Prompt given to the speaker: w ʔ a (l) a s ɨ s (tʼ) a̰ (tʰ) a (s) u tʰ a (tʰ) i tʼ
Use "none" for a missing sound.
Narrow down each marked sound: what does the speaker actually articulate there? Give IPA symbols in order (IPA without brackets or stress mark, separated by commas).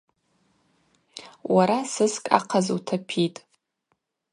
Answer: ɾ, kʼ, qʰ, z, pʰ